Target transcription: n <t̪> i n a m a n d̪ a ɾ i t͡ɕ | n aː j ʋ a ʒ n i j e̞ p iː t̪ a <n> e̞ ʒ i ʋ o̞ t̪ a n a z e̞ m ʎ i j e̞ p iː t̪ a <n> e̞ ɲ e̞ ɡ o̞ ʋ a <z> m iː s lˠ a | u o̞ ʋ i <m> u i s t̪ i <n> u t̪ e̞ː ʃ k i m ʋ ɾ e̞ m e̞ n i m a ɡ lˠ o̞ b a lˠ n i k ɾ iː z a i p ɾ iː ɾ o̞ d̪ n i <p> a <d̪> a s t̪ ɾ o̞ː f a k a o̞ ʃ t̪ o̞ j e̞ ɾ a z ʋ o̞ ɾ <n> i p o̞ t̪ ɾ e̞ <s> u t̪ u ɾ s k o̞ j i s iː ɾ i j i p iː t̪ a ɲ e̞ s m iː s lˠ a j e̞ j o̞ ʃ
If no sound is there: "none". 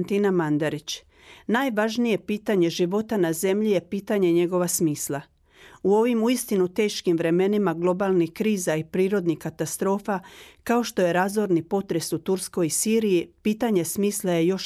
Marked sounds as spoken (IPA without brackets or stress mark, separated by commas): t̪, ɲ, ɲ, s, m, n, k, t̪, n, s